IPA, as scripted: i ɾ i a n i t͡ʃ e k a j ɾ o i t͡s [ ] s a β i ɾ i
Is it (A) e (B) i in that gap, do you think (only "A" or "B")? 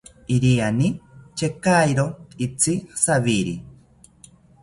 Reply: B